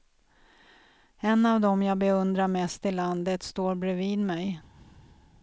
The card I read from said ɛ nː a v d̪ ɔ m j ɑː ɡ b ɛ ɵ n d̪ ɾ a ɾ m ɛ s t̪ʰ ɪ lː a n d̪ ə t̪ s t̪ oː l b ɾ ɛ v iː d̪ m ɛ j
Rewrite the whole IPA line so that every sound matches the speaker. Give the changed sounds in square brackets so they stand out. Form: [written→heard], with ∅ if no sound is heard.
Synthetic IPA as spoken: ɛ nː a v d̪ ɔ m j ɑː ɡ b ɛ ɵ n d̪ ɾ a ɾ m ɛ s [t̪ʰ→t̪] ɪ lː a n d̪ ə t̪ s t̪ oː [l→ɾ] b ɾ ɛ v iː d̪ m ɛ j